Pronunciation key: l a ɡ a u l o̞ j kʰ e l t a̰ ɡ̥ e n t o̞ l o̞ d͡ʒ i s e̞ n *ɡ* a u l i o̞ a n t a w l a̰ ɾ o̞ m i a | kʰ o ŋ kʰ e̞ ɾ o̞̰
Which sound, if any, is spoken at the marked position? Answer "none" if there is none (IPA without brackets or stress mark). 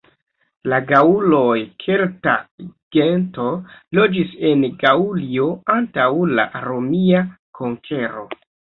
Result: ɡ